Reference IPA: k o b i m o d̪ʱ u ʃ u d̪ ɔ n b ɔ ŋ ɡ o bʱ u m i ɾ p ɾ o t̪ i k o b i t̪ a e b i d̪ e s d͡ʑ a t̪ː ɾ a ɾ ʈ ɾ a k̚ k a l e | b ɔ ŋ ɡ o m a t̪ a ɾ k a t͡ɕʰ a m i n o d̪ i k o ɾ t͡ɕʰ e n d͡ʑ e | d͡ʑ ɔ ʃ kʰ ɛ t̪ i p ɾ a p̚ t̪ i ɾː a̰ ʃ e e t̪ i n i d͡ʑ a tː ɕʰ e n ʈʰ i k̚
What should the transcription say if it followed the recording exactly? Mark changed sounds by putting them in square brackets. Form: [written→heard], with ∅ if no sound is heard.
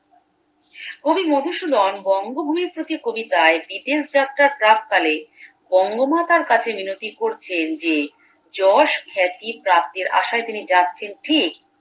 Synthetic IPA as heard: k o b i m o d̪ʱ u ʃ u d̪ ɔ n b ɔ ŋ ɡ o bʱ u m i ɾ p ɾ o t̪ i k o b i t̪ a e b i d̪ e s d͡ʑ a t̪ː ɾ a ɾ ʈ ɾ a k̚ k a l e | b ɔ ŋ ɡ o m a t̪ a ɾ k a t͡ɕʰ [a→e] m i n o [d̪→t̪] i k o ɾ t͡ɕʰ e n d͡ʑ e | d͡ʑ ɔ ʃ kʰ ɛ t̪ i p ɾ a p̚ t̪ i [ɾː→ɾ] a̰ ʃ [e→a] e t̪ i n i d͡ʑ a tː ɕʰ e n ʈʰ i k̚